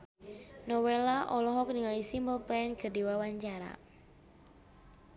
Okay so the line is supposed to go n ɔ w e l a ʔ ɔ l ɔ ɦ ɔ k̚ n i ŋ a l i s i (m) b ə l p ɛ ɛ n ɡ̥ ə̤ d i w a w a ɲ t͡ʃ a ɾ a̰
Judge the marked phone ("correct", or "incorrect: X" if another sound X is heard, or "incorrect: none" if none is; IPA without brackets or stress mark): correct